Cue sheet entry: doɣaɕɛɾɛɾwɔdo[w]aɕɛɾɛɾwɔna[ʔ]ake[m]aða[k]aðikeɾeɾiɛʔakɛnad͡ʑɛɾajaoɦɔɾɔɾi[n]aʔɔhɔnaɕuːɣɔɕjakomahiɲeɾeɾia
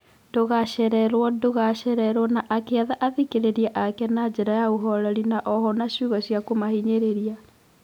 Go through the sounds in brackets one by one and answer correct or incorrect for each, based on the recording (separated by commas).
incorrect, correct, incorrect, incorrect, correct